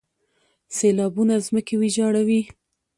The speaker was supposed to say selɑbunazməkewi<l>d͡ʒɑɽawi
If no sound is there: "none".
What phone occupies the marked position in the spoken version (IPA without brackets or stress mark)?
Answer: none